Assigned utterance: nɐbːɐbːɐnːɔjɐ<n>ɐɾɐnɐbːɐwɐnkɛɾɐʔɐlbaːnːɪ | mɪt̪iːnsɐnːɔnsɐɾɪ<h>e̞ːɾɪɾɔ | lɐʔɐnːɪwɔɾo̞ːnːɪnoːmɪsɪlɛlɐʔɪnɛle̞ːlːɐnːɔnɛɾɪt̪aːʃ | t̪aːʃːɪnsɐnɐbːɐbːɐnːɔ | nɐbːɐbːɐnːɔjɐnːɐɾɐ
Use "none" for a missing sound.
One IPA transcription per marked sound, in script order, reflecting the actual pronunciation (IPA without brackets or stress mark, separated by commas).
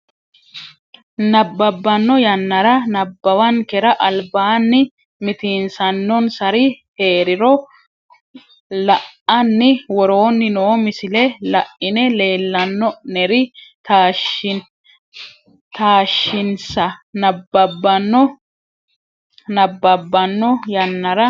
nː, h